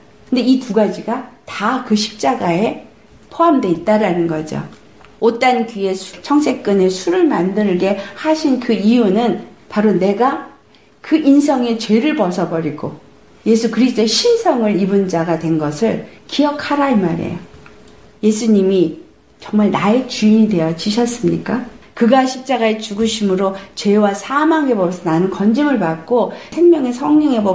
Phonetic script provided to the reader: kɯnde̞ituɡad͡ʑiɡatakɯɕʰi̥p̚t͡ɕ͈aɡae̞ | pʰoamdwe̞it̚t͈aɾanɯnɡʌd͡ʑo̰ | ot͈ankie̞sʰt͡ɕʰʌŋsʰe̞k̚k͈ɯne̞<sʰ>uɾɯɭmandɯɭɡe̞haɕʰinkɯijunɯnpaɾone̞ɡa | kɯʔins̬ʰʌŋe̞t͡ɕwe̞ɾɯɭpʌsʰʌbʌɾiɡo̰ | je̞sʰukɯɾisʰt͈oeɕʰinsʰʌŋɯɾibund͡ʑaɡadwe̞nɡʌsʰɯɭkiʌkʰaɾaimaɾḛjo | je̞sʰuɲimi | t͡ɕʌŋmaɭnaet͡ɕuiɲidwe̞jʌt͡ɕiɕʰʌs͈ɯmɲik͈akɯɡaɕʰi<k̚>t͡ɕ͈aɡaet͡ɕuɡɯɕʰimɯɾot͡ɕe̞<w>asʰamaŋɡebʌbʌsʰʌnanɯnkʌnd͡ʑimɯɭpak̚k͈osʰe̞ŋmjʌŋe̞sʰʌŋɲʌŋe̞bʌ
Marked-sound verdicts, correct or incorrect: correct, incorrect, correct

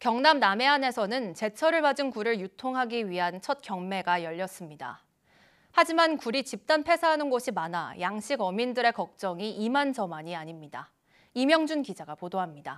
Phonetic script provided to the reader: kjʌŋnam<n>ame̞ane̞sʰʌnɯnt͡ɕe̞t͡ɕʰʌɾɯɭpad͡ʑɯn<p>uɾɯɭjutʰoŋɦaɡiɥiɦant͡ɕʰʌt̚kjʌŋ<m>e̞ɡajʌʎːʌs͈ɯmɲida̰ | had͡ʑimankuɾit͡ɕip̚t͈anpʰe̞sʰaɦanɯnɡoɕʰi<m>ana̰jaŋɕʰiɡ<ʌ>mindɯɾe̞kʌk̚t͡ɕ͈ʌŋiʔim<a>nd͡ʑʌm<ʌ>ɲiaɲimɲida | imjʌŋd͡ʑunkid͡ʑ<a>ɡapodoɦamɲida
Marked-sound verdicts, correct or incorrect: correct, incorrect, correct, correct, correct, correct, incorrect, correct

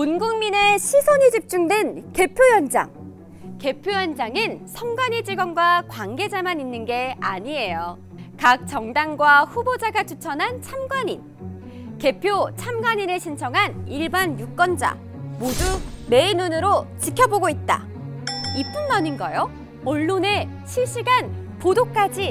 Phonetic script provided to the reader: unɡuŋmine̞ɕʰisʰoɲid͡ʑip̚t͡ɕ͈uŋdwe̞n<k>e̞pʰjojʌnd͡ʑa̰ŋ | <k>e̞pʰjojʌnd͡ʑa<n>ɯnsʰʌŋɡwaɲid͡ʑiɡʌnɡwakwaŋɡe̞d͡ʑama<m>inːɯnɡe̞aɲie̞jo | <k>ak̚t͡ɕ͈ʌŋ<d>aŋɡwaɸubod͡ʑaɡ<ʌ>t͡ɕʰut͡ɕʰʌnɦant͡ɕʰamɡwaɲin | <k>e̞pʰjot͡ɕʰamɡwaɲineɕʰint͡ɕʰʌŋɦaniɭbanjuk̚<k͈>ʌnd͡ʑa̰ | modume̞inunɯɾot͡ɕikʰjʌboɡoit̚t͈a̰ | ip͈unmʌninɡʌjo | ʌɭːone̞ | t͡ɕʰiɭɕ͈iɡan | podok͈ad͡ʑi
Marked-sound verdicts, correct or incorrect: correct, correct, incorrect, incorrect, correct, correct, incorrect, correct, correct

